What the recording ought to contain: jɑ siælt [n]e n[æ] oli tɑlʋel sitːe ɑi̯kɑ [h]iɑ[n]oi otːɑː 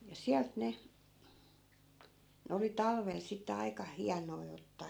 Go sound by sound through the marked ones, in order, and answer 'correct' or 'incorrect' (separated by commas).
correct, incorrect, correct, correct